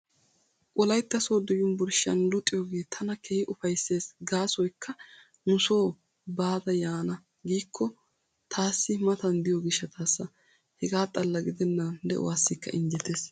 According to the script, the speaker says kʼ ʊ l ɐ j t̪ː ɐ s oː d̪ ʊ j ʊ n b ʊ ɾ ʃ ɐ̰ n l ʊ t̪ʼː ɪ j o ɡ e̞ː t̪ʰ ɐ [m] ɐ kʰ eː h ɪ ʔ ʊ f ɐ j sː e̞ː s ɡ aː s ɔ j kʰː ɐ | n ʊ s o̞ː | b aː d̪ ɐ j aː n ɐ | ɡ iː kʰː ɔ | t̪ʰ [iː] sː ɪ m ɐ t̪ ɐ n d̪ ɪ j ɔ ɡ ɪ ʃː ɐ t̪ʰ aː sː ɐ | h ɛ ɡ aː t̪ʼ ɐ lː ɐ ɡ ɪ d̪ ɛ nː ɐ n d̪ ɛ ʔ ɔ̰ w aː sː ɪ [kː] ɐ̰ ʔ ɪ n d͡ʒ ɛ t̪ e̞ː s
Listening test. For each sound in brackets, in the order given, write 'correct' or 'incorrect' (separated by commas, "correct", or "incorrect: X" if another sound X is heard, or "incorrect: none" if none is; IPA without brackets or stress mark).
incorrect: n, incorrect: aː, correct